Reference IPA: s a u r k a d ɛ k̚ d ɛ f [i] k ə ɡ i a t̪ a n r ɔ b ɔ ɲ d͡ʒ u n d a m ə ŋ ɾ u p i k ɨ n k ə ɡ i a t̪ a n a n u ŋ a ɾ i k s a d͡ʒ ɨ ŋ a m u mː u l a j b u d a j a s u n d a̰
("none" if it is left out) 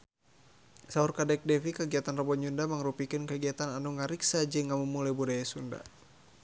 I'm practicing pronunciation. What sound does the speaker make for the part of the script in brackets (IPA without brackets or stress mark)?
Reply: i